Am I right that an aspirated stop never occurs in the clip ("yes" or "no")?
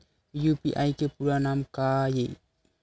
yes